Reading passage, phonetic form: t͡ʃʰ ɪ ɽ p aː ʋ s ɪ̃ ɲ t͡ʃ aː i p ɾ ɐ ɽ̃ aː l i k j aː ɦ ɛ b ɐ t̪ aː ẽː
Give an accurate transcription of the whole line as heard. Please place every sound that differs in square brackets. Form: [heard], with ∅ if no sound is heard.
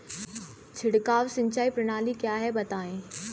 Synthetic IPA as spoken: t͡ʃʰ ɪ ɽ [k] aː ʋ s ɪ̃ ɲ t͡ʃ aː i p ɾ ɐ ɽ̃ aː l i k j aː ɦ ɛ b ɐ t̪ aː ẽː